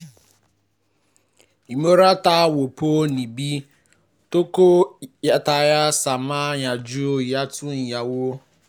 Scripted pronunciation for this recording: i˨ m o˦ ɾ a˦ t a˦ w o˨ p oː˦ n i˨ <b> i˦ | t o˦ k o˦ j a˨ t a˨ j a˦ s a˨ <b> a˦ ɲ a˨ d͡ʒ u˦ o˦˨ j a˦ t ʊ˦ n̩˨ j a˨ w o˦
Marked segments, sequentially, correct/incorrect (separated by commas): correct, incorrect